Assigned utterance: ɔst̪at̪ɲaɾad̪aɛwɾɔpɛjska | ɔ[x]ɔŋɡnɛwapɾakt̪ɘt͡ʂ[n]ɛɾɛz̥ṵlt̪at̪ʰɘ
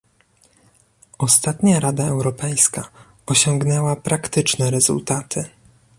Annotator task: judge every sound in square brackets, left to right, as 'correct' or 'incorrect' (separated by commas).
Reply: incorrect, correct